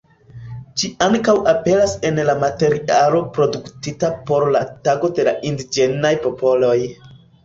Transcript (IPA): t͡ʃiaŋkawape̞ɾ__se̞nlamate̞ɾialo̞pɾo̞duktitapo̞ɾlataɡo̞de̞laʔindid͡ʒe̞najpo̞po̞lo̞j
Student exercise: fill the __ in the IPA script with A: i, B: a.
B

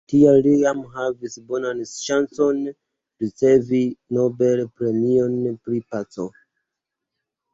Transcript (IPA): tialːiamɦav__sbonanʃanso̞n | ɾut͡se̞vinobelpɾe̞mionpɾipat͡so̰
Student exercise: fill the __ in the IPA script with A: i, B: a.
A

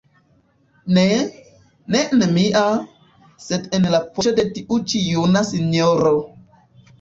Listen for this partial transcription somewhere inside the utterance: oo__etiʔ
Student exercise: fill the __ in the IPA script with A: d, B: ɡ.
A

